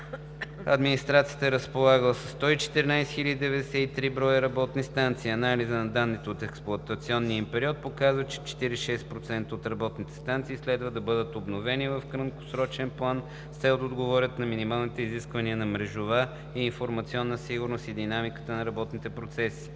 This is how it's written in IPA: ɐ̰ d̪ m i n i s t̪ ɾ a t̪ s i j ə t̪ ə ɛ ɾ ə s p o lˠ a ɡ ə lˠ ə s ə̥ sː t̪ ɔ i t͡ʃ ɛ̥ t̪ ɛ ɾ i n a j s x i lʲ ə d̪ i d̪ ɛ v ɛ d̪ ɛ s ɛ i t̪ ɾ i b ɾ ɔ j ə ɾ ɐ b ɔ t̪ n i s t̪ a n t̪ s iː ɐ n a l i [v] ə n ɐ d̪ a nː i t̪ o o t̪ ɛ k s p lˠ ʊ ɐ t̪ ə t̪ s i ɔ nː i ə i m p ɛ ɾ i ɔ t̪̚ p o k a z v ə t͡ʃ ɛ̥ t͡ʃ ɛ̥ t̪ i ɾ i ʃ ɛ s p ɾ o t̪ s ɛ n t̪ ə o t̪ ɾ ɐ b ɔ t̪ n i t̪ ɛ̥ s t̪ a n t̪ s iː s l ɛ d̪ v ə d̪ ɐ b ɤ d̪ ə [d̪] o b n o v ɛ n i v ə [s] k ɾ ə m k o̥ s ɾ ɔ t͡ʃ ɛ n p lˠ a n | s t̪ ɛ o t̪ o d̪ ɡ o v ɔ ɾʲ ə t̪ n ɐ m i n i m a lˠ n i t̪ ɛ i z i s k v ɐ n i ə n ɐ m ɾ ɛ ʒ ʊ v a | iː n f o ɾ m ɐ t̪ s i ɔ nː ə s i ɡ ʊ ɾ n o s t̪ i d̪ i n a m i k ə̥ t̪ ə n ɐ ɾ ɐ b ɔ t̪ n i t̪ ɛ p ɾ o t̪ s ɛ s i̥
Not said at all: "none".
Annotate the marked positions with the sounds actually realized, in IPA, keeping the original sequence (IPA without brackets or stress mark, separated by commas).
z, t̪, f